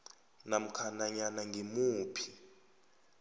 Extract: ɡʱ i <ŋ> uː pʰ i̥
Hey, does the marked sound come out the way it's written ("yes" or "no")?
no